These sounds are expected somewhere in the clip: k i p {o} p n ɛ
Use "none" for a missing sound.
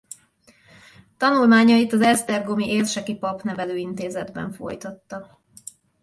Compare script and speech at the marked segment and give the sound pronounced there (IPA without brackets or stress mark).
ɒ